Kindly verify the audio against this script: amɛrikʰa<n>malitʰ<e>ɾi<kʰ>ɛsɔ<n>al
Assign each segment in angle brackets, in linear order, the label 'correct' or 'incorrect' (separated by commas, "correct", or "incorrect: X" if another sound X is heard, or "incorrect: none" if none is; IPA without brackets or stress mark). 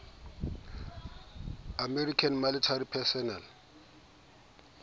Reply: correct, incorrect: a, incorrect: pʰ, correct